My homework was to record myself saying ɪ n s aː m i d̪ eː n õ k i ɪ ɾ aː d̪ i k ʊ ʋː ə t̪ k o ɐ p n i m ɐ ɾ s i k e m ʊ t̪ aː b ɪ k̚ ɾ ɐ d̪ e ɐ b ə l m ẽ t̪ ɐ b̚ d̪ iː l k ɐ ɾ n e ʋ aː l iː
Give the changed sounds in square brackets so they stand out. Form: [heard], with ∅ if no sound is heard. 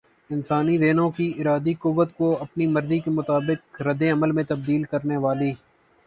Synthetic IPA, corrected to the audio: ɪ n s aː [n] i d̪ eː n õ k i ɪ ɾ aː d̪ i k ʊ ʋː ə t̪ k o ɐ p n i m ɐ ɾ [z] i k e m ʊ t̪ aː b ɪ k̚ ɾ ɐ d̪ e ɐ [m] ə l m ẽ t̪ ɐ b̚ d̪ iː l k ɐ ɾ n e ʋ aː l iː